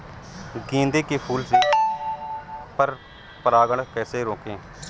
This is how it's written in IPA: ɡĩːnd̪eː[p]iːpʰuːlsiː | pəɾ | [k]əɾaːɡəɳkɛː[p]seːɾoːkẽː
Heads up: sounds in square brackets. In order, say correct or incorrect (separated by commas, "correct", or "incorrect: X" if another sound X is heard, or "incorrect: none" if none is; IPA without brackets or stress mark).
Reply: incorrect: k, incorrect: p, incorrect: none